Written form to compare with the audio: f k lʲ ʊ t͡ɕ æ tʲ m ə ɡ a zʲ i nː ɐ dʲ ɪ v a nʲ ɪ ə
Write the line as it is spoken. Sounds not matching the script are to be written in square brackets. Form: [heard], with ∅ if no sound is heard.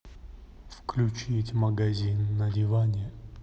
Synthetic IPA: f k lʲ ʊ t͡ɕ [i] tʲ m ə ɡ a zʲ i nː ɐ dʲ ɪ v a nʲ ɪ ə